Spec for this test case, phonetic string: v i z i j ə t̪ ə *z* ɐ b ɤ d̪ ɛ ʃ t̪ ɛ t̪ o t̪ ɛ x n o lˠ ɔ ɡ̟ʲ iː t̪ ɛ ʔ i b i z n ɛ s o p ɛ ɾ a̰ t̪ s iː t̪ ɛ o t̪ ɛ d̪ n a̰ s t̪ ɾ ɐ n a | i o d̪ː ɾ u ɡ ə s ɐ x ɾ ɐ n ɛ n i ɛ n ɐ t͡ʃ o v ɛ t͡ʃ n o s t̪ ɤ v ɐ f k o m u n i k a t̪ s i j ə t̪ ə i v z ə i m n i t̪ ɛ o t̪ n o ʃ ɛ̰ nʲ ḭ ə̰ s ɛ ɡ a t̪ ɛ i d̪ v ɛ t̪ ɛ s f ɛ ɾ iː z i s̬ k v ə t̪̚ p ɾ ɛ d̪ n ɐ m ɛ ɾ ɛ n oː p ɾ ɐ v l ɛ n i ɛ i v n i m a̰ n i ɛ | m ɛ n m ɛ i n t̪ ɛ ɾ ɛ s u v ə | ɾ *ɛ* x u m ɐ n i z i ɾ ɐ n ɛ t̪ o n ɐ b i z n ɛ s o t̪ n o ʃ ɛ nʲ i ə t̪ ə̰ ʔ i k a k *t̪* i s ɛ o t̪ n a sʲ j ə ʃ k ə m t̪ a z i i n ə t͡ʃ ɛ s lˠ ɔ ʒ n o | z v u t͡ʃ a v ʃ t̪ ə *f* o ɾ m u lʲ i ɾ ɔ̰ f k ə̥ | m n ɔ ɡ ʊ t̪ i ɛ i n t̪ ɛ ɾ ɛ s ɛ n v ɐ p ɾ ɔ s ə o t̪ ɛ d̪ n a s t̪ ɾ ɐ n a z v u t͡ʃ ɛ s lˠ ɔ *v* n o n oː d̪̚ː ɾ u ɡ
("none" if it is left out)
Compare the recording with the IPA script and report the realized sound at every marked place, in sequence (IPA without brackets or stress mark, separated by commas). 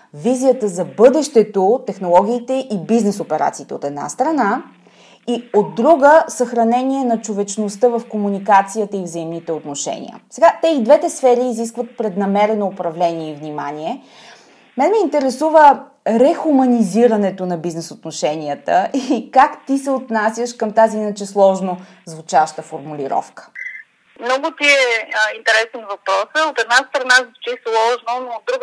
z, ɛ, t̪, f, ʒ